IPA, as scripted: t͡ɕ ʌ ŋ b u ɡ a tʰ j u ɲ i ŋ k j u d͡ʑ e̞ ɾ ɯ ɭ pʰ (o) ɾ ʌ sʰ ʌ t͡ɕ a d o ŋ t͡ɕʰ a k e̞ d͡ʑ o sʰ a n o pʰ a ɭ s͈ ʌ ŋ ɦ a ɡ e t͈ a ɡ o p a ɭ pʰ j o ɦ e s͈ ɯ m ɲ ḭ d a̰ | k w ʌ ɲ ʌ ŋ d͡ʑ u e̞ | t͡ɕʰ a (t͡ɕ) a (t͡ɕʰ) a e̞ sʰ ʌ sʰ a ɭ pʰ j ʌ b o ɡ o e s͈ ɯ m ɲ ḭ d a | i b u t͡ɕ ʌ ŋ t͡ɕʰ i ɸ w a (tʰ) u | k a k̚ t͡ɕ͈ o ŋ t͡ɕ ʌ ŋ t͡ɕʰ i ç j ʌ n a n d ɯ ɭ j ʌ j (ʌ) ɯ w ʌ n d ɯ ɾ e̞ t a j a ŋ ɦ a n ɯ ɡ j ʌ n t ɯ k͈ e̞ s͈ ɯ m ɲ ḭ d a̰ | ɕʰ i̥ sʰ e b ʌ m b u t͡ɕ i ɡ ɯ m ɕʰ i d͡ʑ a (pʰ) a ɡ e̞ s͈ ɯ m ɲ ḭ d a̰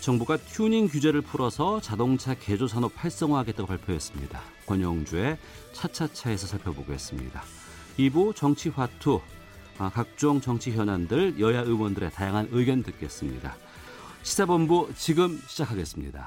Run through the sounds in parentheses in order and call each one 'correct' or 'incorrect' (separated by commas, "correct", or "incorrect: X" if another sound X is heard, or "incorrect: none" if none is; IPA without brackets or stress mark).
incorrect: u, incorrect: t͡ɕʰ, correct, correct, incorrect: a, incorrect: kʰ